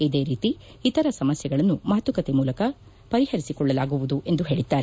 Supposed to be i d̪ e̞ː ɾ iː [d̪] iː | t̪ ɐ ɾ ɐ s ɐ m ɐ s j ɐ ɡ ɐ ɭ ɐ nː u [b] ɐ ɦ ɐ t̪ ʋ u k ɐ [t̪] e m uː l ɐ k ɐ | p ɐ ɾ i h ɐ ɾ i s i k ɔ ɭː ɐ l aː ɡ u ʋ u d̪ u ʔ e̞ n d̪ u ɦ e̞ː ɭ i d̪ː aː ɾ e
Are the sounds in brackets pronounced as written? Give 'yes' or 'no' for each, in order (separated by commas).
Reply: no, no, yes